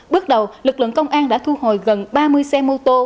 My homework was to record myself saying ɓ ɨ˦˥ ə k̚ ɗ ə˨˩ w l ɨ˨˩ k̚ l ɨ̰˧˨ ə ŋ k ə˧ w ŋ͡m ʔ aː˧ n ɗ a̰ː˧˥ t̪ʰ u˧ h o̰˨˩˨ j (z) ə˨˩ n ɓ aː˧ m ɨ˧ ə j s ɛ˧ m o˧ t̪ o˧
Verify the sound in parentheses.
incorrect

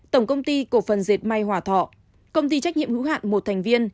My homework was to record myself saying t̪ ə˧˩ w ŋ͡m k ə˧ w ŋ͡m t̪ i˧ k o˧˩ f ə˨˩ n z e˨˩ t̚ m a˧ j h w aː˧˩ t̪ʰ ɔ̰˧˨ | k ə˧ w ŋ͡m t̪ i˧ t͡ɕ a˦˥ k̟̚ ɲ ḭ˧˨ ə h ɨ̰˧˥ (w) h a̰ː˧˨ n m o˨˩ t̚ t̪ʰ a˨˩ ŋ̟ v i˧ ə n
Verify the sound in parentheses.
correct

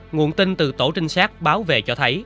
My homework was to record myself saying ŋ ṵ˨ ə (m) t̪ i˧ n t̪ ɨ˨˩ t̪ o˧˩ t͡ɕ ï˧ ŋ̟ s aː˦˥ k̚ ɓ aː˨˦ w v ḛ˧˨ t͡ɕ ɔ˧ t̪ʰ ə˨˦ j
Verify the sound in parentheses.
incorrect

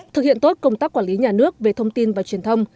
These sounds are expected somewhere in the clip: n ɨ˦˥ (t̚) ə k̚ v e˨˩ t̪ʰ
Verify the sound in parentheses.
incorrect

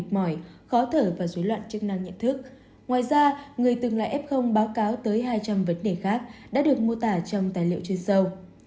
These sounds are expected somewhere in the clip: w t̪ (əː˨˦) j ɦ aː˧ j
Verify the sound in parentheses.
correct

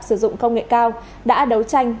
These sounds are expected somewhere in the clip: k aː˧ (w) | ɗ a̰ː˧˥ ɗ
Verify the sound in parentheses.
correct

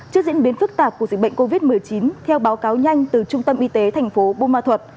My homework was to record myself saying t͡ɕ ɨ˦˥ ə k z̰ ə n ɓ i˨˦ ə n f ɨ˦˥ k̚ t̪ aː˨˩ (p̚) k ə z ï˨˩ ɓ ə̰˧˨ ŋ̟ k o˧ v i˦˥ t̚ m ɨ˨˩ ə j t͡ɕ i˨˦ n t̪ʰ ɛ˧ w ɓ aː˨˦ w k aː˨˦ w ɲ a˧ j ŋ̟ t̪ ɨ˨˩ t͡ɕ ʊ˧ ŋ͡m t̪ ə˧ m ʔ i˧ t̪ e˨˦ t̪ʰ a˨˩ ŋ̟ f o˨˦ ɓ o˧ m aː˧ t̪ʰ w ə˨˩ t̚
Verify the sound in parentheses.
correct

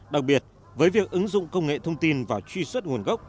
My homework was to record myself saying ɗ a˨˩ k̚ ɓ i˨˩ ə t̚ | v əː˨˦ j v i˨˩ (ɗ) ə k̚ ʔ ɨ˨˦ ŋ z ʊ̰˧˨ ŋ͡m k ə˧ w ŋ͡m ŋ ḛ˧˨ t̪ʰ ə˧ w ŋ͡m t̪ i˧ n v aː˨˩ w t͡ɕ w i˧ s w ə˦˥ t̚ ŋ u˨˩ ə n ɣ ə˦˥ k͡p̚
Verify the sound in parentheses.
incorrect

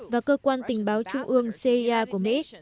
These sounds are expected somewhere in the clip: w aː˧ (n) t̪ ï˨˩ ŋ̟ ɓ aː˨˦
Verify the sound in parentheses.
correct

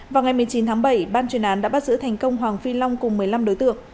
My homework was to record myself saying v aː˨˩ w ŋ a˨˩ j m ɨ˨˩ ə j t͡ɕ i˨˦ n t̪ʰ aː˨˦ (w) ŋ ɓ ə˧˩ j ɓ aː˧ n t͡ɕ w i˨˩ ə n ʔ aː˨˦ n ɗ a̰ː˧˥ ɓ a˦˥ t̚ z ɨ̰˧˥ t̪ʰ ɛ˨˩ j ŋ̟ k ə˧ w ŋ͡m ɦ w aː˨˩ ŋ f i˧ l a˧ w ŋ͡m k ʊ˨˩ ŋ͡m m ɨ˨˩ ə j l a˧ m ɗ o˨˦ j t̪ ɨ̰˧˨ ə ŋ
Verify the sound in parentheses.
incorrect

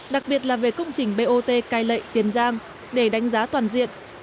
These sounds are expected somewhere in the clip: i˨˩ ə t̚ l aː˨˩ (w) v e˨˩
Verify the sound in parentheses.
incorrect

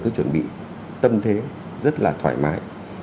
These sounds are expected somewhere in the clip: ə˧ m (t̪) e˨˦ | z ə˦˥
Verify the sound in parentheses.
incorrect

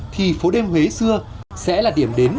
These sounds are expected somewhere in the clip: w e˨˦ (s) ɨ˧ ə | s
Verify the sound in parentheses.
correct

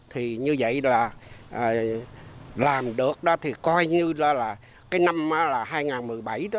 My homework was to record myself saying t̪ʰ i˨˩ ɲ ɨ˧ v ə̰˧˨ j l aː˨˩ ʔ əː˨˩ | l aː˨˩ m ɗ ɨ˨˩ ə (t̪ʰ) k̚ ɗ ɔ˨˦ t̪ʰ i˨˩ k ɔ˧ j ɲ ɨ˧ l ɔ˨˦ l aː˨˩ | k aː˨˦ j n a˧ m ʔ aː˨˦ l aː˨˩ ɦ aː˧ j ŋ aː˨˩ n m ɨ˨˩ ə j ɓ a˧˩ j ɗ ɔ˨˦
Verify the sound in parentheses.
incorrect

